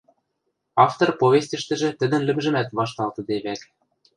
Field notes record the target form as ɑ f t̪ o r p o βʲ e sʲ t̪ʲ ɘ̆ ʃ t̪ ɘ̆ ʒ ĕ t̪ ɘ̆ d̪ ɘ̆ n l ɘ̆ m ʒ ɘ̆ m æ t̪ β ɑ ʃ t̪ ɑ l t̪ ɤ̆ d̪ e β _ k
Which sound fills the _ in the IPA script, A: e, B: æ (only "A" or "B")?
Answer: B